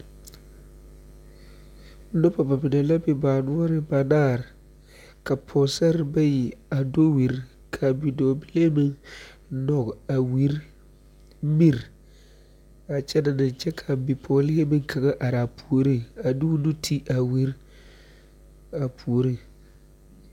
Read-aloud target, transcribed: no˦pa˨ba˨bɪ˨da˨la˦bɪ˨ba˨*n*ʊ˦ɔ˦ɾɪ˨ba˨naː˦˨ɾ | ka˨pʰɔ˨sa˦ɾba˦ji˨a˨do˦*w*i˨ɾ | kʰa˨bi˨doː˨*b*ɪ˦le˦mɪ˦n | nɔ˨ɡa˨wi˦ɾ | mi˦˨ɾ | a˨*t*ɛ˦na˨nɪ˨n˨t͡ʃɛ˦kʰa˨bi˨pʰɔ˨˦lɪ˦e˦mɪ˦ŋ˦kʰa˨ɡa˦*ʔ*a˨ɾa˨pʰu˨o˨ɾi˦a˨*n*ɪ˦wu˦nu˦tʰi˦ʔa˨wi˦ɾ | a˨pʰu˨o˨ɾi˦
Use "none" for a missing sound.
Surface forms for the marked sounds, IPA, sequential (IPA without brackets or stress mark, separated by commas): n, w, b, t͡ʃ, ʔ, d